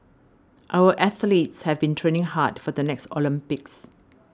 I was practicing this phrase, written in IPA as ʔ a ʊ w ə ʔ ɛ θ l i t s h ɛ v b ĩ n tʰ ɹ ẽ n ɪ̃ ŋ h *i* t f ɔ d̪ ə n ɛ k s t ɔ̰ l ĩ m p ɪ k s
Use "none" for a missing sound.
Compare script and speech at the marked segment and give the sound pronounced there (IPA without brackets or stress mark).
a